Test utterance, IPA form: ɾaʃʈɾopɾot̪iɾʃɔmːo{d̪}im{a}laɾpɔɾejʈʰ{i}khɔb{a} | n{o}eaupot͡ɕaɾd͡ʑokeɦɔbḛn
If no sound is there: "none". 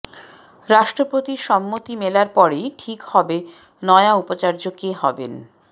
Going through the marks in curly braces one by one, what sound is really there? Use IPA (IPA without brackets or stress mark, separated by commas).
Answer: t̪, e, i, e, ɔ